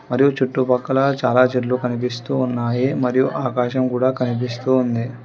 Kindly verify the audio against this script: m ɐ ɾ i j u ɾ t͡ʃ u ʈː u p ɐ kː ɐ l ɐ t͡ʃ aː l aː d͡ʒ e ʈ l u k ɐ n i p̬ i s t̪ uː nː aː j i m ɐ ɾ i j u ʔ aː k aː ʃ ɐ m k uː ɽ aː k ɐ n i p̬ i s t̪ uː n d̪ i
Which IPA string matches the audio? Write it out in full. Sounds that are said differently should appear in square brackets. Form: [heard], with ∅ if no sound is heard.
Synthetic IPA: m ɐ ɾ i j u [∅] t͡ʃ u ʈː u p ɐ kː ɐ l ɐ t͡ʃ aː l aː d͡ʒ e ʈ l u k ɐ n i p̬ i s t̪ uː nː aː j i m ɐ ɾ i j u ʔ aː k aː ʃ ɐ m k uː ɽ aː k ɐ n i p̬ i s t̪ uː n d̪ i

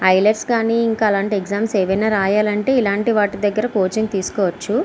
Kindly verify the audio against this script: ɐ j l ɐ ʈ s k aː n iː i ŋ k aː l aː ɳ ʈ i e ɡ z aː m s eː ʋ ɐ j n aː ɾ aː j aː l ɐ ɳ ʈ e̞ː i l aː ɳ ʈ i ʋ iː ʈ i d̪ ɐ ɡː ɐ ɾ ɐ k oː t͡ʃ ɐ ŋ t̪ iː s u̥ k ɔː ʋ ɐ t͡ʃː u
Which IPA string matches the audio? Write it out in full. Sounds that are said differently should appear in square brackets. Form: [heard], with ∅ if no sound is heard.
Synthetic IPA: ɐ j l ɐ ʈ s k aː n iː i ŋ k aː l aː ɳ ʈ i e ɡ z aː m s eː ʋ ɐ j n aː ɾ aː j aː l ɐ ɳ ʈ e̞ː i l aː ɳ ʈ i ʋ [aː] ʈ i d̪ ɐ ɡː ɐ ɾ ɐ k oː t͡ʃ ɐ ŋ t̪ iː s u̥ k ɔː ʋ ɐ t͡ʃː u

